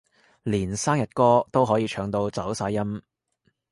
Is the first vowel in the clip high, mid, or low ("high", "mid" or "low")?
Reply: high